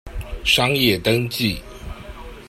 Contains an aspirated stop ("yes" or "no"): no